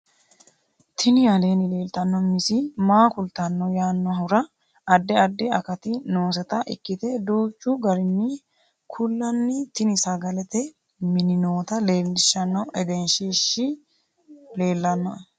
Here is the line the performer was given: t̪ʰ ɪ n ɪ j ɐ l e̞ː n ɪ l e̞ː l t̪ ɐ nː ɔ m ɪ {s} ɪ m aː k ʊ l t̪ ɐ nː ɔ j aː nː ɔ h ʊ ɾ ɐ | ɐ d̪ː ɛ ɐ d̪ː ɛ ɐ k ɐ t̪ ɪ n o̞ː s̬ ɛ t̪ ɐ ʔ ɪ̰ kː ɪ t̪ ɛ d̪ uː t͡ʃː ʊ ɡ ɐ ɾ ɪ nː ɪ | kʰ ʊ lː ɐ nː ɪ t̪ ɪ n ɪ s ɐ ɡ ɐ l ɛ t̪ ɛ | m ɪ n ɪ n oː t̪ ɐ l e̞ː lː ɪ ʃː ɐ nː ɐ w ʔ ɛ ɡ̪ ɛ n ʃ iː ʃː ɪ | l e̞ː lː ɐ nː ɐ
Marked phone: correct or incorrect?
correct